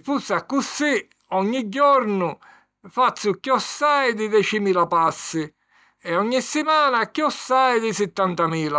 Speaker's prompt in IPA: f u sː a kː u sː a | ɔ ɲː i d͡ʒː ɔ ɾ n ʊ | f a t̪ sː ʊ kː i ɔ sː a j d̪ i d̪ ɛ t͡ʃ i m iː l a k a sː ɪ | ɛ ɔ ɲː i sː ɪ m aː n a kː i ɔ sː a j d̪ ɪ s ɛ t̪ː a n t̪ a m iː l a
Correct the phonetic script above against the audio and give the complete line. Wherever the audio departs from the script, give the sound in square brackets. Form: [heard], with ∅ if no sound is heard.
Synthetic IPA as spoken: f u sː a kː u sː [i] | ɔ ɲː i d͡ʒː ɔ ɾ n ʊ | f a t̪ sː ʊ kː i ɔ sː a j d̪ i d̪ ɛ t͡ʃ i m iː l a [p] a sː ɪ | ɛ ɔ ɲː i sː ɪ m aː n a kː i ɔ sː a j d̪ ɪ s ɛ t̪ː a n t̪ a m iː l a